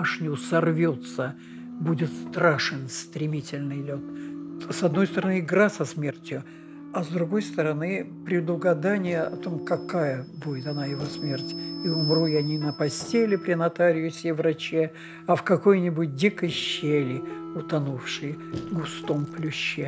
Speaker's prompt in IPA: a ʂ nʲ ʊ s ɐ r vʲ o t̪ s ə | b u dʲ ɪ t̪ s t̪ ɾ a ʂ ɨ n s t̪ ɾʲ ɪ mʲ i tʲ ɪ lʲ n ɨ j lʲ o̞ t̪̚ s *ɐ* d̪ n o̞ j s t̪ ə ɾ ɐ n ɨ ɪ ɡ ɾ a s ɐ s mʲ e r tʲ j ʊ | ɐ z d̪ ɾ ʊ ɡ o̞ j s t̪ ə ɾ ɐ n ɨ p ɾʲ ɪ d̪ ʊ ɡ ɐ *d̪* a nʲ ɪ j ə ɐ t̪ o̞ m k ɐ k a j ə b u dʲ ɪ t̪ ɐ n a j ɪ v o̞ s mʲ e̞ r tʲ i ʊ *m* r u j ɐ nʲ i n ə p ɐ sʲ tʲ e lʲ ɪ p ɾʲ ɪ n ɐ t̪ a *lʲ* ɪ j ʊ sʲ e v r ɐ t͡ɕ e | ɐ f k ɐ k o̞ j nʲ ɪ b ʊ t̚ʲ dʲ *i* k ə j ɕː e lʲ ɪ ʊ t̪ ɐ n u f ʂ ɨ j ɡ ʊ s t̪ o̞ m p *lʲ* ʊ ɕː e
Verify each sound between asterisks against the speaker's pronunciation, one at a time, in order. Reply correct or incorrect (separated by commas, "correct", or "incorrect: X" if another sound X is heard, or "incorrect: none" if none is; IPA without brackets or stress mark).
correct, correct, correct, incorrect: ɾʲ, correct, correct